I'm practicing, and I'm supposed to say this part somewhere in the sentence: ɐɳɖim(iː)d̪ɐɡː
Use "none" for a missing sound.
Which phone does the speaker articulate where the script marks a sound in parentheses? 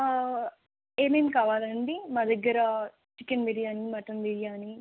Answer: aː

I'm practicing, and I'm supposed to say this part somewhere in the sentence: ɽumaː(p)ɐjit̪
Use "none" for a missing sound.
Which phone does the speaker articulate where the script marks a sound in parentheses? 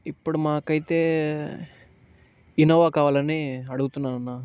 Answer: k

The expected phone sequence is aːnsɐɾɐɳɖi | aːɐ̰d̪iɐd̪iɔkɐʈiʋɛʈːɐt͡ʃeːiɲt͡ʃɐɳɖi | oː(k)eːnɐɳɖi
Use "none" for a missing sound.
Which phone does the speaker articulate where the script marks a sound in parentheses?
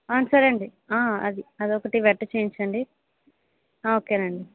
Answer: k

